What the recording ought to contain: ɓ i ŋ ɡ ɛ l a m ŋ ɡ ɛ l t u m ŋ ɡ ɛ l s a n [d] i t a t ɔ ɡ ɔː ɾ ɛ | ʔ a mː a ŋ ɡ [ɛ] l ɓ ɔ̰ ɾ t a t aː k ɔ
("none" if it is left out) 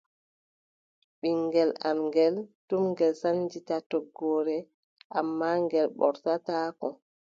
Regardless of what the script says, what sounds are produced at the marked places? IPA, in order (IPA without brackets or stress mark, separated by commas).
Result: d͡ʒ, ɛ